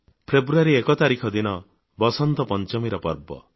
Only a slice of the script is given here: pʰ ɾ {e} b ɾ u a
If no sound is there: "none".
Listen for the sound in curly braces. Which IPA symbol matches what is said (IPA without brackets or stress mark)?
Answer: e